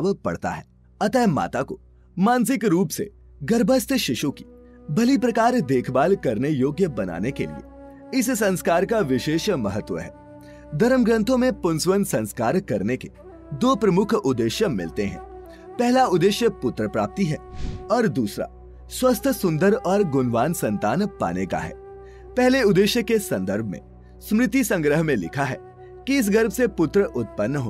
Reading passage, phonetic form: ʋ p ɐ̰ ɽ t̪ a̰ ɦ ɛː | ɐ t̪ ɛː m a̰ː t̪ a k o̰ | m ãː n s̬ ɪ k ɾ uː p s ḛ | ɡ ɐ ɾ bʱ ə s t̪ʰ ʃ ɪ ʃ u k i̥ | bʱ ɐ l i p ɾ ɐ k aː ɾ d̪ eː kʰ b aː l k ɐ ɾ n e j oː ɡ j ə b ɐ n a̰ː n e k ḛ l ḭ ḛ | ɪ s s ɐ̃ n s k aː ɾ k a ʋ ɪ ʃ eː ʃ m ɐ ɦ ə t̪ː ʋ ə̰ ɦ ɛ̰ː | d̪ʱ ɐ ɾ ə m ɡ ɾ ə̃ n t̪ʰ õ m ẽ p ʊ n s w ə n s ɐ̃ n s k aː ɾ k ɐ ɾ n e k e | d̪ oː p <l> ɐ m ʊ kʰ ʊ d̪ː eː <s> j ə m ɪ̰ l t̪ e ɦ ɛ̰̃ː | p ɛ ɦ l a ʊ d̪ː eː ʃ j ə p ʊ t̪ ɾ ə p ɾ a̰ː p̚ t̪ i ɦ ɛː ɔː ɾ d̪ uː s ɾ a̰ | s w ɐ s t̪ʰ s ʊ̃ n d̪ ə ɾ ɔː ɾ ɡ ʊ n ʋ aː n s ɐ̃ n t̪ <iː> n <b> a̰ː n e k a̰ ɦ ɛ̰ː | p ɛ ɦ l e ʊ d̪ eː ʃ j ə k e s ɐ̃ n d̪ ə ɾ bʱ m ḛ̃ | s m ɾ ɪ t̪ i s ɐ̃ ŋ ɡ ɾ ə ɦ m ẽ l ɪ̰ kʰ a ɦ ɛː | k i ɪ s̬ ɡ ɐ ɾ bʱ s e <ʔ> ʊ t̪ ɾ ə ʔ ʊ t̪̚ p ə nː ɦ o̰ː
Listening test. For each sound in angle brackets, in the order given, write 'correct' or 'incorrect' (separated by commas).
incorrect, incorrect, incorrect, incorrect, incorrect